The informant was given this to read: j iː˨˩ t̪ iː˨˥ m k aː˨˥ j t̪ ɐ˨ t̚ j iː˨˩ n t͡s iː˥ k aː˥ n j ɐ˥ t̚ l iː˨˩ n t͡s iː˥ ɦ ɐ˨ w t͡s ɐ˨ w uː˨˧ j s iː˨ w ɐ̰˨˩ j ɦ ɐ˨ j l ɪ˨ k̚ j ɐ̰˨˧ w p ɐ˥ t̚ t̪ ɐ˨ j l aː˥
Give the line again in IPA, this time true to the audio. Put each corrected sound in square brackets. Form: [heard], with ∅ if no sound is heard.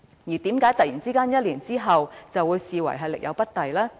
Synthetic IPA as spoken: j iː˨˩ t̪ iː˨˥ m k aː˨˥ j t̪ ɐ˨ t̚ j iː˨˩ n t͡s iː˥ k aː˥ n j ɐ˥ t̚ l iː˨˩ n t͡s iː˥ ɦ ɐ˨ w t͡s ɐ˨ w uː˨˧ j s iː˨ w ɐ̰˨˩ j ɦ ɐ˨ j l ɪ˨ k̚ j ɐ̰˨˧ w p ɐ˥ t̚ t̪ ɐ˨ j l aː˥